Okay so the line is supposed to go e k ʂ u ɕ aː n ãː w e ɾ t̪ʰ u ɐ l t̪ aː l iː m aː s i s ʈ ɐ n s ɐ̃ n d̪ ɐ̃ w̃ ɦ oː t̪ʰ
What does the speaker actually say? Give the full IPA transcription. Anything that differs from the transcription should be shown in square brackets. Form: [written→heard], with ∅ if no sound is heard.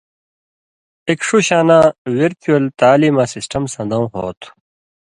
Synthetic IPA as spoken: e k ʂ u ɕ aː n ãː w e ɾ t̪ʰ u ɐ l t̪ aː l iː m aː s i s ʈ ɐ [n→m] s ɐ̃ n d̪ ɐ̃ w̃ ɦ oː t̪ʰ